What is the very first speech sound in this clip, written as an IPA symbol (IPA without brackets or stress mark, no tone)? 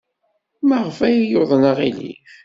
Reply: m